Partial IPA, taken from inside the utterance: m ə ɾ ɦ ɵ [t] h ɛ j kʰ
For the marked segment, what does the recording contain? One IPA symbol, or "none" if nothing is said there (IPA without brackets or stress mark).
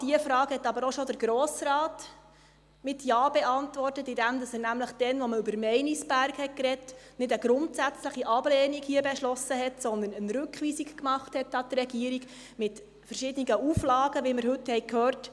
t